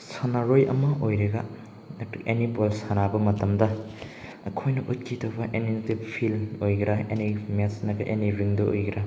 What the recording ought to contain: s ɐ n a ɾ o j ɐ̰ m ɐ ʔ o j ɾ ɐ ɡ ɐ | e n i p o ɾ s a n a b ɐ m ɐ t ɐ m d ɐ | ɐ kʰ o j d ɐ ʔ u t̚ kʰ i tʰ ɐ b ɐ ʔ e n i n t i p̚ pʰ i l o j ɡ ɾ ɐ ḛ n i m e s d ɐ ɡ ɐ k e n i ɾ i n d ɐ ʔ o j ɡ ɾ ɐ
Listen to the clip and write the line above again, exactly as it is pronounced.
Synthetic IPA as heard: s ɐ n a ɾ o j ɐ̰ m ɐ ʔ o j ɾ ɐ ɡ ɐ | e n i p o l s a n a b ɐ m ɐ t ɐ m d ɐ | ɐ kʰ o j n ɐ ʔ u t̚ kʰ i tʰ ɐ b ɐ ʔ e n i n t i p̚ pʰ i l o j ɡ ɾ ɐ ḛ n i m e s n ɐ ɡ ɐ ʔ e n i ɾ i ŋ d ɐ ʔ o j ɡ ɾ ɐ